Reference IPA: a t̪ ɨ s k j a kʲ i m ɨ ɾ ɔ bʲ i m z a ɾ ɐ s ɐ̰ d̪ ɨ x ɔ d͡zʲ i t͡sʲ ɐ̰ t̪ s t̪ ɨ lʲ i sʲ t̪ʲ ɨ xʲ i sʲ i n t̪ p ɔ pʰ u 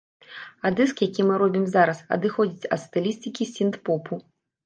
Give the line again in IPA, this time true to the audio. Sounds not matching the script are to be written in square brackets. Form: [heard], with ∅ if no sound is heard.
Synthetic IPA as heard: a [d̪] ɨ s k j a kʲ i m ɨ ɾ ɔ bʲ i m z a ɾ ɐ s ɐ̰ d̪ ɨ x ɔ d͡zʲ i t͡sʲ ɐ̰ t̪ s t̪ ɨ lʲ i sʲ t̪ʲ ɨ [kʲ] i sʲ i n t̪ p ɔ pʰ u

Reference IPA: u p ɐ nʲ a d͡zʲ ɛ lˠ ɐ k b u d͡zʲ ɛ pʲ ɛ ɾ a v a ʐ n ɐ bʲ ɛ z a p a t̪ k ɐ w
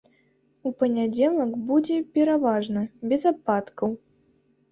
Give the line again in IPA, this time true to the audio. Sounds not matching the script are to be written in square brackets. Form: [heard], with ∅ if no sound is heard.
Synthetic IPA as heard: u p ɐ nʲ a d͡zʲ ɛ lˠ ɐ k b u d͡zʲ ɛ pʲ ɛ ɾ a v a ʐ n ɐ bʲ ɛ z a p a t̪ k ɐ w

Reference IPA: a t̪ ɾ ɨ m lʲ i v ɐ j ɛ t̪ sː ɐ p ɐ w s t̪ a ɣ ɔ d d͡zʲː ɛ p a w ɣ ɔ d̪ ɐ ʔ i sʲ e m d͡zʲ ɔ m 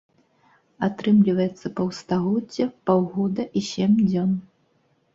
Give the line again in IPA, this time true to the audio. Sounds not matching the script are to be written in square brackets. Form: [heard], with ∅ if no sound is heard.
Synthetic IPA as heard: a t̪ ɾ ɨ m lʲ i v ɐ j ɛ t̪ sː ɐ p ɐ w s t̪ a ɣ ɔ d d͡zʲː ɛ p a w ɣ ɔ d̪ ɐ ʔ i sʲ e m d͡zʲ ɔ [n]

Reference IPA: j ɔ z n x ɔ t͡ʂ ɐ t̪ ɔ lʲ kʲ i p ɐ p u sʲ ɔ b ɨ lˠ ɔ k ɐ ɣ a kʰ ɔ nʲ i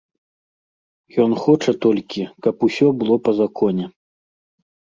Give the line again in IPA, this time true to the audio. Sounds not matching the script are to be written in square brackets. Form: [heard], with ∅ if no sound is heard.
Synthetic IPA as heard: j ɔ [∅] n x ɔ t͡ʂ ɐ t̪ ɔ lʲ kʲ i [k] ɐ p u sʲ ɔ b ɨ lˠ ɔ [p] ɐ [z] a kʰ ɔ nʲ [ɛ]

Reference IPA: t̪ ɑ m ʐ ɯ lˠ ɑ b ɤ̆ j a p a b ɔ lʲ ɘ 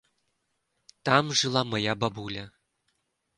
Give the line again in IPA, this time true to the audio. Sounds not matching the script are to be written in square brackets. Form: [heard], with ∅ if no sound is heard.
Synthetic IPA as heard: t̪ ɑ m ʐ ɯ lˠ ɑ [m] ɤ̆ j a [b] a b [u] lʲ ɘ

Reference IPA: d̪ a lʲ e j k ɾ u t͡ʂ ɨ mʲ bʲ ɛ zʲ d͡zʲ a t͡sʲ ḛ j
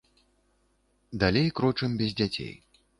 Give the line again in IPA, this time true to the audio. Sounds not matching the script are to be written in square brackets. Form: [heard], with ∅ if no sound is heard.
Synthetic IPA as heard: d̪ a lʲ e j k ɾ [ɔ] t͡ʂ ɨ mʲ bʲ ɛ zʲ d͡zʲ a t͡sʲ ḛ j

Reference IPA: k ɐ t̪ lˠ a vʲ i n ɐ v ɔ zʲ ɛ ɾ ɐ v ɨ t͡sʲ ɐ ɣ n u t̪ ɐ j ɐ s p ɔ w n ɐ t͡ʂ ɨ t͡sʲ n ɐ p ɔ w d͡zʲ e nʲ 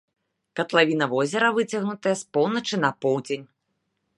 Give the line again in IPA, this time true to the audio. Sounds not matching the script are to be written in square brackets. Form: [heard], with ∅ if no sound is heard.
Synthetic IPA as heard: k ɐ t̪ lˠ a vʲ i n ɐ v ɔ zʲ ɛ ɾ ɐ v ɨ t͡sʲ ɐ ɣ n u t̪ ɐ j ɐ s p ɔ w n ɐ t͡ʂ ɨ [∅] n ɐ p ɔ w d͡zʲ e nʲ

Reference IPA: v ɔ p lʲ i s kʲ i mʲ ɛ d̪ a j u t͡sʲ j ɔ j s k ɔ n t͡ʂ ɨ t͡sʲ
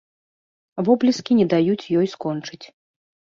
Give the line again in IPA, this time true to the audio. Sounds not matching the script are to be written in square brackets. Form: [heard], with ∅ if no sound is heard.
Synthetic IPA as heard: v ɔ [b] lʲ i s kʲ i [nʲ] ɛ d̪ a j u t͡sʲ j ɔ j s k ɔ n t͡ʂ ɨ t͡sʲ

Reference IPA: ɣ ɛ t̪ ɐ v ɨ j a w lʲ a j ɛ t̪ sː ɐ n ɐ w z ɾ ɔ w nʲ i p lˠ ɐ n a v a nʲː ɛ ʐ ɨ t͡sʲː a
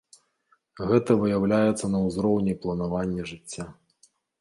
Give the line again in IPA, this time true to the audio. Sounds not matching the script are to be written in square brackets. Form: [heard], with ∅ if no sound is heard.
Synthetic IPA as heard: ɣ ɛ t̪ ɐ v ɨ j a w lʲ a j ɛ t̪ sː ɐ n ɐ w z ɾ ɔ w nʲ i p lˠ ɐ n a v a nʲː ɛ ʐ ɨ t͡sʲː a

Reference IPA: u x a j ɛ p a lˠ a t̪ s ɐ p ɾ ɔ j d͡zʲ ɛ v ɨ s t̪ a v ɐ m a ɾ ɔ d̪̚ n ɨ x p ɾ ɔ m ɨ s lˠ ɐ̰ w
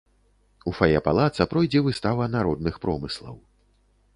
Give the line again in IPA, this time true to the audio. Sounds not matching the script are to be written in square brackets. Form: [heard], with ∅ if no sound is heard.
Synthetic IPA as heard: u [f] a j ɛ p a lˠ a t̪ s ɐ p ɾ ɔ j d͡zʲ ɛ v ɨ s t̪ a v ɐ [n] a ɾ ɔ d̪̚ n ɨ x p ɾ ɔ m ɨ s lˠ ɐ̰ w

